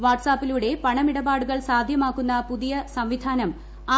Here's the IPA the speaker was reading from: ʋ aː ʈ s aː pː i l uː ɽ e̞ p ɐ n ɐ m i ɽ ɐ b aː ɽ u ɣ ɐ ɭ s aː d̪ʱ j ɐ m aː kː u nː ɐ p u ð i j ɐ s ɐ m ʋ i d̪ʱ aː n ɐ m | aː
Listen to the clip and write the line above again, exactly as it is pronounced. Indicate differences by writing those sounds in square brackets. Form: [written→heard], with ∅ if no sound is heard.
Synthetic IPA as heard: ʋ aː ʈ s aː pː i l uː ɽ e̞ p ɐ [n→ɳ] ɐ m i ɽ ɐ b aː ɽ u ɣ ɐ ɭ s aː d̪ʱ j ɐ m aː kː u nː ɐ p u ð i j ɐ s ɐ m ʋ i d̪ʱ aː n ɐ m | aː